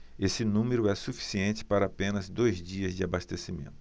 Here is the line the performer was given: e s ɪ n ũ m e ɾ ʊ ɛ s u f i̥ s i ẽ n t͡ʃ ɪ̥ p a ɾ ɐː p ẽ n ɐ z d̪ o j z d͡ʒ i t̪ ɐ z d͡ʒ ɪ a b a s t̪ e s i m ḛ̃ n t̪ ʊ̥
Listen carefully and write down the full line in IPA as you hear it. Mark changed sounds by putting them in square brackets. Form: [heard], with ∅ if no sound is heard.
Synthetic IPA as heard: e s ɪ n ũ m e ɾ ʊ ɛ s u f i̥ s i ẽ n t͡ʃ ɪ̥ p a ɾ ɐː p ẽ n ɐ z d̪ o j z d͡ʒ i [∅] ɐ z d͡ʒ ɪ a b a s t̪ e s i m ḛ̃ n t̪ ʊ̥